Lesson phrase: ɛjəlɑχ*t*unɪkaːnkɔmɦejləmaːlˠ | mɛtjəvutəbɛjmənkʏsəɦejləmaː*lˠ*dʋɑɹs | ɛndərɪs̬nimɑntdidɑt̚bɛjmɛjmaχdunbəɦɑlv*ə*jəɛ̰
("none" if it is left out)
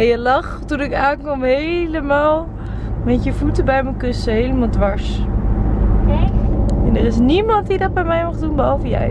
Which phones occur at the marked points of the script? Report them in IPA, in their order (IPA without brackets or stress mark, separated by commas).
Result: t, lˠ, ə